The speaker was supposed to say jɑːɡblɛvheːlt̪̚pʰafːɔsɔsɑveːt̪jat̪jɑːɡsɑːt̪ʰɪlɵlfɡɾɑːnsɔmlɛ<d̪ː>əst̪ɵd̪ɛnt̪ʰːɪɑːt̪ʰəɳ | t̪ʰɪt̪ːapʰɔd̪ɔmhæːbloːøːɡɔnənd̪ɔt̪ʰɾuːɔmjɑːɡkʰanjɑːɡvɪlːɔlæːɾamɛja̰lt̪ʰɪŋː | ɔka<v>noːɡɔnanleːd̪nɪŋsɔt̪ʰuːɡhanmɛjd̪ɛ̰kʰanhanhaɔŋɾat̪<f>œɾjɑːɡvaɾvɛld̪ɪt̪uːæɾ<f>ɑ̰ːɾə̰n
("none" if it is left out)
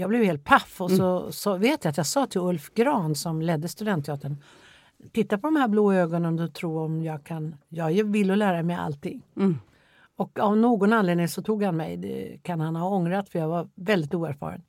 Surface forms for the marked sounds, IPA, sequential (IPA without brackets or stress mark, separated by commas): d̪ː, v, f, f